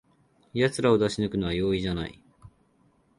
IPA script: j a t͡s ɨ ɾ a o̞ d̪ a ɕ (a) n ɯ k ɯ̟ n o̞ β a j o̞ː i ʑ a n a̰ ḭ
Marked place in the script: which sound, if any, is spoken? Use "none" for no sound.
i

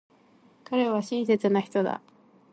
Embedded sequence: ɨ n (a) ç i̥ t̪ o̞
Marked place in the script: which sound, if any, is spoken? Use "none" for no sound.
a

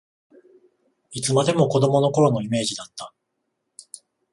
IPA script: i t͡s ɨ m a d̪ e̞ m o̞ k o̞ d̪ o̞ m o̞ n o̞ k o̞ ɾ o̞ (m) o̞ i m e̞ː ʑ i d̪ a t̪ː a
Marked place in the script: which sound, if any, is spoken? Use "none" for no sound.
n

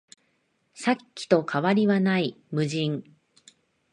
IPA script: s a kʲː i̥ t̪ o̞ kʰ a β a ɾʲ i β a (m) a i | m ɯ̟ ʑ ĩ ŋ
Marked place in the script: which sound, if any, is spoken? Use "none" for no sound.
n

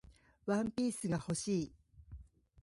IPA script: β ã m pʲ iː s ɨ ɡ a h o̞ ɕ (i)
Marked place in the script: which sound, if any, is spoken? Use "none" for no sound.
iː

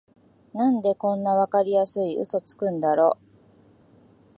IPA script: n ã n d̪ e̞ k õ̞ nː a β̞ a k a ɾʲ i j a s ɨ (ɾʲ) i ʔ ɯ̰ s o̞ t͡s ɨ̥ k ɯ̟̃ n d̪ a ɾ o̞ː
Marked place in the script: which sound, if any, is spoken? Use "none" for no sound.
none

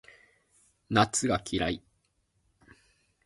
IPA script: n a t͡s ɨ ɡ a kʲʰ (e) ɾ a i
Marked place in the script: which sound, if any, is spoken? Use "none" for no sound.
i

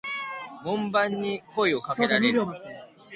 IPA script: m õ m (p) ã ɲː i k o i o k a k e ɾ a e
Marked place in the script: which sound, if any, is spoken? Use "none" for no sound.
b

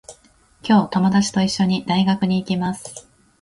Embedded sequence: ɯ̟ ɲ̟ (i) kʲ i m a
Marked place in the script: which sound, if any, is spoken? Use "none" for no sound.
iː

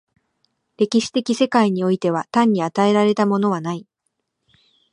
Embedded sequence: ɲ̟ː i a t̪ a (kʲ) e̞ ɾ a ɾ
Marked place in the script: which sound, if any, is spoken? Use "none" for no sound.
none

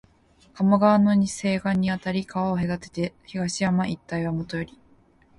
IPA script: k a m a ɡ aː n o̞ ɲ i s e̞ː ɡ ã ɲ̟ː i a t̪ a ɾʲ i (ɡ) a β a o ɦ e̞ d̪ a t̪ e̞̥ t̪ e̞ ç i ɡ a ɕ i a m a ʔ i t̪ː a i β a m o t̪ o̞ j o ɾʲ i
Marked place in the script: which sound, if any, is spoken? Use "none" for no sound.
k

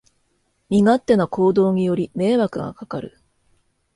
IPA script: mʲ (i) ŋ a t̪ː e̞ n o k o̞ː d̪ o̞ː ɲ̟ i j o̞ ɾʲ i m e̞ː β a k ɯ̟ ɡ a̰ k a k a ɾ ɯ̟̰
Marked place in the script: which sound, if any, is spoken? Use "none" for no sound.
i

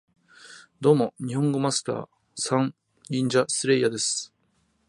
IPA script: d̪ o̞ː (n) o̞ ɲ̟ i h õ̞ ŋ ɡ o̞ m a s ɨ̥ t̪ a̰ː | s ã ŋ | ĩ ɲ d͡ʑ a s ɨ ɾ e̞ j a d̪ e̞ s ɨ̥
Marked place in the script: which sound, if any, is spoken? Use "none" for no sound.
m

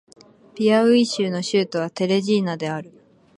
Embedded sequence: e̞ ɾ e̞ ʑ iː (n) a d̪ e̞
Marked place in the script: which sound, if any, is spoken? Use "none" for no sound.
n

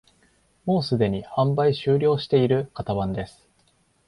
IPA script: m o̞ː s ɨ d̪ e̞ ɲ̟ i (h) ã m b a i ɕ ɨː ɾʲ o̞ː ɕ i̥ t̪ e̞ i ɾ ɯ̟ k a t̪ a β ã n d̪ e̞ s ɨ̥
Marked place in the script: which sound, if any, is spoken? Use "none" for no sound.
h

